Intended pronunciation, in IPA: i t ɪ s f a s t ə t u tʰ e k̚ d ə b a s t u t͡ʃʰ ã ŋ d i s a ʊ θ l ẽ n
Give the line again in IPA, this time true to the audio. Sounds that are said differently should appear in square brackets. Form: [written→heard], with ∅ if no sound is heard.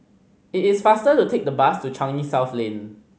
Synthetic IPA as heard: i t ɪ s f a s t ə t u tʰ e k̚ d ə b a s t u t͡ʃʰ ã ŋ [d→n] i s a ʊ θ l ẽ n

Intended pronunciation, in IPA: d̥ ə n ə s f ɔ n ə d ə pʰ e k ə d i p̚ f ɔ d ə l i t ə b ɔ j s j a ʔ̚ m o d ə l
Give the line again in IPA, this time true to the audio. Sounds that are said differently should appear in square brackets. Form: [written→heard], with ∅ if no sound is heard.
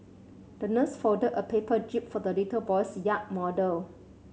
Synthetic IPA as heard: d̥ ə n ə s f ɔ [n→d] ə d ə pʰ e [k→p] ə [d→d͡ʒ] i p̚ f ɔ d ə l i t ə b ɔ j s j a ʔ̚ m [o→ɔ] d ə l

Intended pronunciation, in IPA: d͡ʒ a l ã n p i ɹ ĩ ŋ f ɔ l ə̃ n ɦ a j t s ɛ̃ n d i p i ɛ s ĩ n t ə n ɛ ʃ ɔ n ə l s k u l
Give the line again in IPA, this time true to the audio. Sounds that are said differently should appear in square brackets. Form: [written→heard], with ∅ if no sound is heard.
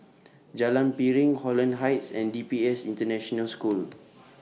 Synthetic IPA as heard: d͡ʒ a l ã n p i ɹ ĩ ŋ [f→h] ɔ l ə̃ n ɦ a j t s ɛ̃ n d i p i ɛ s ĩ n t ə n ɛ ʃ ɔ n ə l s k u l

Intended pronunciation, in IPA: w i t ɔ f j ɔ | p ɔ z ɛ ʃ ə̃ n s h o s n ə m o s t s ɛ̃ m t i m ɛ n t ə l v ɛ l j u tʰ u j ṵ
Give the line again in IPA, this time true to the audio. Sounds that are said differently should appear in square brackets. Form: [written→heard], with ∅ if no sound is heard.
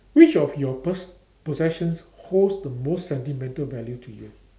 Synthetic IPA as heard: w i [t→t͡ʃ] ɔ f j ɔ | p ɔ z ɛ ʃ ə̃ n s h o s [n→d] ə m o s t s ɛ̃ [m→n] t i m [ɛ→ɛ̃] n t ə l v ɛ l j u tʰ u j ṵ

